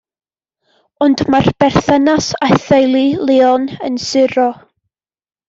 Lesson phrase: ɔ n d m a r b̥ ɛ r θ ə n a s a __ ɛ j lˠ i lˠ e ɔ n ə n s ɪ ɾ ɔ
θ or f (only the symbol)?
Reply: θ